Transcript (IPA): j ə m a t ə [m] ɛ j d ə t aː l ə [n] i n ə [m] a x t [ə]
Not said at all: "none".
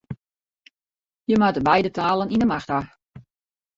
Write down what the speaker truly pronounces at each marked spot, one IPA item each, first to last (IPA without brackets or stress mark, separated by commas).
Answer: b, n, m, a